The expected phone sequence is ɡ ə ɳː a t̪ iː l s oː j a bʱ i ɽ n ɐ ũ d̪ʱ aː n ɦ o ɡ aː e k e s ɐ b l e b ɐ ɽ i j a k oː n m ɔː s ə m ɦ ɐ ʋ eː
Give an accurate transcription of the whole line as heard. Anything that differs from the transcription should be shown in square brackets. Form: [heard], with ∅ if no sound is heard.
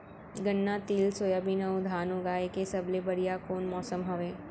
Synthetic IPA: ɡ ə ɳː a t̪ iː l s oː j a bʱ i [∅] n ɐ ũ d̪ʱ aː n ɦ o ɡ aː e k e s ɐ b l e b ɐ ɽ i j a k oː n m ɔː s ə m ɦ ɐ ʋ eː